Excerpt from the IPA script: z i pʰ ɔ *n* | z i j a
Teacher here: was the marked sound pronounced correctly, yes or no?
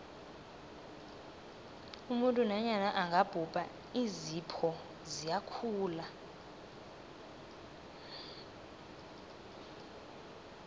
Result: no